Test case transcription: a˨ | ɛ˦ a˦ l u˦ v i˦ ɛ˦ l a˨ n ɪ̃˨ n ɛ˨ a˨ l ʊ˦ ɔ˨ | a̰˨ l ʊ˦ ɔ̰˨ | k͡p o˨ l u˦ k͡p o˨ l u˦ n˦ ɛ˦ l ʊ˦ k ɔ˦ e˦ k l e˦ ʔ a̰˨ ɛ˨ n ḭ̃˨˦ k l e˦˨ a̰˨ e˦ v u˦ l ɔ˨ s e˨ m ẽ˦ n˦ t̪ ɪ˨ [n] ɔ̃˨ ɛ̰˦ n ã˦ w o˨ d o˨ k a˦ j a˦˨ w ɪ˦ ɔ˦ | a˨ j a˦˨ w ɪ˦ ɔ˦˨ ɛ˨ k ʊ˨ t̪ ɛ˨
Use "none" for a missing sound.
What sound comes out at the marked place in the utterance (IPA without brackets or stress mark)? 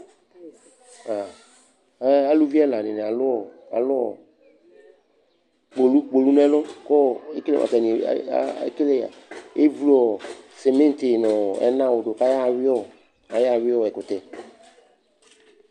n